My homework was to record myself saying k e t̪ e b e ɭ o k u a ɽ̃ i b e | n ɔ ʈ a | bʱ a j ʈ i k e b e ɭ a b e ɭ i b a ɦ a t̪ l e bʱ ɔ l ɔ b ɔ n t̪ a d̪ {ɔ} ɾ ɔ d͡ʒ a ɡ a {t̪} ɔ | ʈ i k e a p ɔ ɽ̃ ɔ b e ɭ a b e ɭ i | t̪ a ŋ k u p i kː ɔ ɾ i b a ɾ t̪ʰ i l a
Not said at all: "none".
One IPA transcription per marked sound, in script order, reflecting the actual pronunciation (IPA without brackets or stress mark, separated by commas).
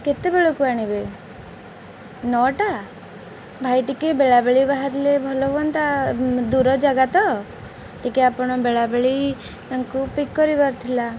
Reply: u, t̪